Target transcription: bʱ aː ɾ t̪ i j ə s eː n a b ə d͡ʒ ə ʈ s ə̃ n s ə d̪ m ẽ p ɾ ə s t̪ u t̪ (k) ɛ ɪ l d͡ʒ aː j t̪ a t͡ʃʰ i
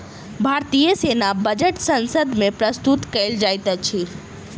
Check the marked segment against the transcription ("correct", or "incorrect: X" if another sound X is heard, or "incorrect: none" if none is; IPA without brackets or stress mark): correct